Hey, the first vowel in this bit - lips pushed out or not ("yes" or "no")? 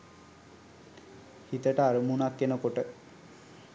no